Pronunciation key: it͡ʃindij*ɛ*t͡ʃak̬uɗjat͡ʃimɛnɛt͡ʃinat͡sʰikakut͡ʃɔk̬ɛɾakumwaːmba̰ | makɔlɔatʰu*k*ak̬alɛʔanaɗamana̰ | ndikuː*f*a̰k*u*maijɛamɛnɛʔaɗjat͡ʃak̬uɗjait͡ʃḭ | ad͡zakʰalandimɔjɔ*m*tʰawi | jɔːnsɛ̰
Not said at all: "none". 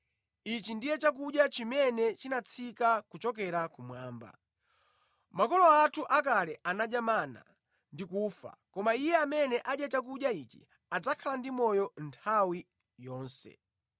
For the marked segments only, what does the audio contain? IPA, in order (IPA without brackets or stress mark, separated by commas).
ɛ, ʔ, f, ɔ, n